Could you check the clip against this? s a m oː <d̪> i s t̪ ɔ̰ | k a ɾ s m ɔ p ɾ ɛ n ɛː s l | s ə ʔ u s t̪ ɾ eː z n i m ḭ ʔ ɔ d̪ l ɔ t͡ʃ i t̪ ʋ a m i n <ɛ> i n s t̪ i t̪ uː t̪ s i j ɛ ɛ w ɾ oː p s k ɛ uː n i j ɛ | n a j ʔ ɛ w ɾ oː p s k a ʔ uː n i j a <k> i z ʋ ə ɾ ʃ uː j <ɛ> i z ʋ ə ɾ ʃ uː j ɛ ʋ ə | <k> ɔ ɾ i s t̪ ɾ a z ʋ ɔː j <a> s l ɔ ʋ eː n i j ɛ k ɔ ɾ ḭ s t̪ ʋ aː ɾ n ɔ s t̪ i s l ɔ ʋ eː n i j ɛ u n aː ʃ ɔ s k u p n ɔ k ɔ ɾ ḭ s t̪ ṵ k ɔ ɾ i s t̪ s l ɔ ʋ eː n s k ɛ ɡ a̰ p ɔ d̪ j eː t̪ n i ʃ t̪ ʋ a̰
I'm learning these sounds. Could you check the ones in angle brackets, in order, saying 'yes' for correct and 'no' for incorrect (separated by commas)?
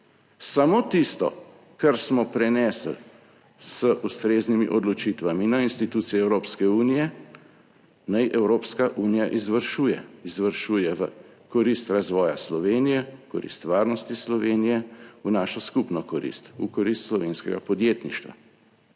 no, no, no, yes, yes, yes